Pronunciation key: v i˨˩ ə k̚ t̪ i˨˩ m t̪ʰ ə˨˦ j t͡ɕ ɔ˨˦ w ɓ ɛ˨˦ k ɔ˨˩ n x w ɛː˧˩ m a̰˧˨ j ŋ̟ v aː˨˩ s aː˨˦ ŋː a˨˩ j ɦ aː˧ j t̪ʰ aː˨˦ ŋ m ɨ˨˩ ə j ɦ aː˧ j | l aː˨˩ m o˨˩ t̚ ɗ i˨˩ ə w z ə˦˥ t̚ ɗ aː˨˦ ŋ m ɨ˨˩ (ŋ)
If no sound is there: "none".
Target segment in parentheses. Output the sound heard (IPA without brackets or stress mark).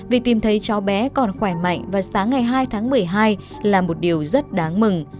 ŋ